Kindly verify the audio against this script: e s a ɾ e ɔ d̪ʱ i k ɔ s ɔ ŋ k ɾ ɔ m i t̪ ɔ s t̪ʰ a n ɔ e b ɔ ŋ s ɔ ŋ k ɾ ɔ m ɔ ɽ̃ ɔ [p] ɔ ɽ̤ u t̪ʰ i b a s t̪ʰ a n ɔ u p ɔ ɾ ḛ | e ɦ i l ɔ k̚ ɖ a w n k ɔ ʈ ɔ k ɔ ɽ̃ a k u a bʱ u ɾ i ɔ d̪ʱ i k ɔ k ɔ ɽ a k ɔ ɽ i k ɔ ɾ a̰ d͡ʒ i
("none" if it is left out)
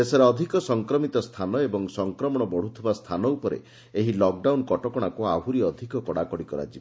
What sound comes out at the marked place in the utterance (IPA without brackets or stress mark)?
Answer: b